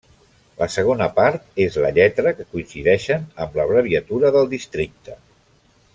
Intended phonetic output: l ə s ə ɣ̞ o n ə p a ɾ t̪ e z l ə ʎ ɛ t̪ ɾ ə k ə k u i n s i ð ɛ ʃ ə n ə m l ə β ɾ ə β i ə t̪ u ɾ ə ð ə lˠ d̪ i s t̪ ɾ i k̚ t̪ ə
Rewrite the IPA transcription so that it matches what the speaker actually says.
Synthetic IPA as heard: l ə s ə ɣ̞ o n ə p a ɾ t̪ e z l ə ʎ ɛ t̪ ɾ ə k ə k u i n s i ð ɛ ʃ ə n ə m l ə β ɾ ə β i ə t̪ u ɾ ə ð ə lˠ d̪ i s t̪ ɾ i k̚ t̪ ə